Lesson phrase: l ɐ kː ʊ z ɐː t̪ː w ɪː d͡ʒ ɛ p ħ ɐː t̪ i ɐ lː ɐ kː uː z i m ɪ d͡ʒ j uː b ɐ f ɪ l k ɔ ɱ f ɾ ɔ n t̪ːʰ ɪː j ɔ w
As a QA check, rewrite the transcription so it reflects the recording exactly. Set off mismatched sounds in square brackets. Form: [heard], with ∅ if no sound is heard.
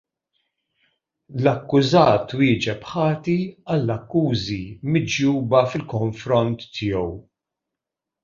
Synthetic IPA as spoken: l ɐ kː ʊ z ɐː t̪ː w ɪː d͡ʒ ɛ p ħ ɐː t̪ i ɐ lː ɐ kː uː z i m ɪ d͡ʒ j uː b ɐ f ɪ l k ɔ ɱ f ɾ ɔ n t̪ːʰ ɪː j ɔ w